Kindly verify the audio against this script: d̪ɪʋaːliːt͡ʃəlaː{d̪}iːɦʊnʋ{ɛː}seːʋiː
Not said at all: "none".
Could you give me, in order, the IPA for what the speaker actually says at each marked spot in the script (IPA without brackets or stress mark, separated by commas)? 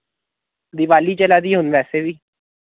d̪, ɛː